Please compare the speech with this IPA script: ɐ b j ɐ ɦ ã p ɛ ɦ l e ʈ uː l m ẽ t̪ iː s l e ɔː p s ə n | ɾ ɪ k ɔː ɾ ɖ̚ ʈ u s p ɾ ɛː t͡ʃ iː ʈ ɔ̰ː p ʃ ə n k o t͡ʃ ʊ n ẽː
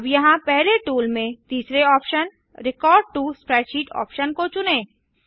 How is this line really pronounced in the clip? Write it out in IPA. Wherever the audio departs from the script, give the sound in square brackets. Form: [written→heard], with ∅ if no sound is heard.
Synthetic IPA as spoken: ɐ b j ɐ ɦ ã p ɛ ɦ l e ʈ uː l m ẽ t̪ iː s [l→ɾ] e ɔː p [s→ʃ] ə n | ɾ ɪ k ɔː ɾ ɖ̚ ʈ u s p ɾ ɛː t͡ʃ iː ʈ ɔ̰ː p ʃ ə n k o t͡ʃ ʊ n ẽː